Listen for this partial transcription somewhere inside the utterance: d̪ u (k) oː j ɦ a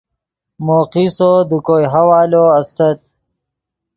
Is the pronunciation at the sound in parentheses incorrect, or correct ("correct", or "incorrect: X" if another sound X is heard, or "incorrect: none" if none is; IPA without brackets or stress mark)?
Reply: correct